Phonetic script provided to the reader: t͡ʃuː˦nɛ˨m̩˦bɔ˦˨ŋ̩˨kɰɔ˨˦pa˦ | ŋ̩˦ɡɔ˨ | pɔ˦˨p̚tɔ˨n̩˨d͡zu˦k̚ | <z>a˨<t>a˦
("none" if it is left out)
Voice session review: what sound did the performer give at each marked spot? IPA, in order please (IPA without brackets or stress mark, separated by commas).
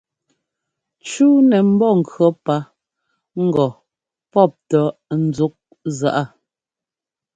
z, ʔ